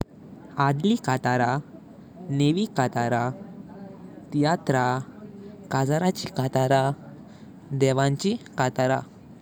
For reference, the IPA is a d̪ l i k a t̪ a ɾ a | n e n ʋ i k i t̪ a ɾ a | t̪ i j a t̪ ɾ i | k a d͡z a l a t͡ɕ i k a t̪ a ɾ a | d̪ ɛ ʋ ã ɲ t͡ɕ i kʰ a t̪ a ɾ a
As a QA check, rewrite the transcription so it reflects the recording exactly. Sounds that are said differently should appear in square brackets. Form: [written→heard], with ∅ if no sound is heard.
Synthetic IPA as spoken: a d̪ l i k a t̪ a ɾ a | n e [n→∅] ʋ i k [i→a] t̪ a ɾ a | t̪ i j a t̪ ɾ [i→a] | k a d͡z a [l→ɾ] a t͡ɕ i k a t̪ a ɾ a | d̪ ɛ ʋ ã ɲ t͡ɕ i [kʰ→k] a t̪ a ɾ a